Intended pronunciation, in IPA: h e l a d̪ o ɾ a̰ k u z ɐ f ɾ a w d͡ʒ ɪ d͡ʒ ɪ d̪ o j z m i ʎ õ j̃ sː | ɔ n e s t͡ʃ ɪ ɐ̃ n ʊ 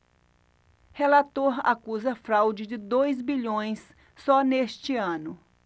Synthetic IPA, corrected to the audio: h e l a t̪ o ɾ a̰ k u z ɐ f ɾ a w d͡ʒ ɪ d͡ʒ ɪ d̪ o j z b i ʎ õ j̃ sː | ɔ n e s t͡ʃ ɪ ɐ̃ n ʊ